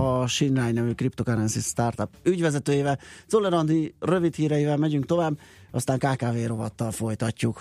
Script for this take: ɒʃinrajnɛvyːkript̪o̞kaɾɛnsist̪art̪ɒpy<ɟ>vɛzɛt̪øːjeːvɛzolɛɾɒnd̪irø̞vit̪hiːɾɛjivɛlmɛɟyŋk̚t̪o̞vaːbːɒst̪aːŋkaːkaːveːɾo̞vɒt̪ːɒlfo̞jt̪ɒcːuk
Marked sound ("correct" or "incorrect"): correct